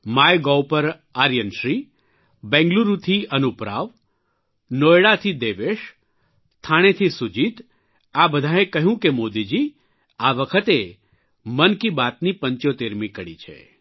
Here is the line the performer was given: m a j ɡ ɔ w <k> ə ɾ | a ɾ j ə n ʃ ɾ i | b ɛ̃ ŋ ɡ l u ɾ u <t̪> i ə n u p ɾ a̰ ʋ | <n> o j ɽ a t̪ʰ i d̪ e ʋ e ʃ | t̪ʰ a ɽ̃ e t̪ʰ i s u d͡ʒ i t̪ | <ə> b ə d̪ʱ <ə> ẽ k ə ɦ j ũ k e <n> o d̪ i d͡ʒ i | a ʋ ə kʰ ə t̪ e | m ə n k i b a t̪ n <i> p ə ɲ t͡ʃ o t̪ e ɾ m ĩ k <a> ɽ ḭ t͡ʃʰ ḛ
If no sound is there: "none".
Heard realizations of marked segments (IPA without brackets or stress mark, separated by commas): p, t̪ʰ, n, a, a, m, i, ə